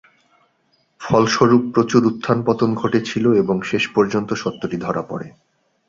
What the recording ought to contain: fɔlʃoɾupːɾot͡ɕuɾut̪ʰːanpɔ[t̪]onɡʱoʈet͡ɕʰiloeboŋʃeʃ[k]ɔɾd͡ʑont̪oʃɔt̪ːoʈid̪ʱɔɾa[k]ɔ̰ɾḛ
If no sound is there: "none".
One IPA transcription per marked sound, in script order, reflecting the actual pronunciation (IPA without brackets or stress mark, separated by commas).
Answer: t̪, p, p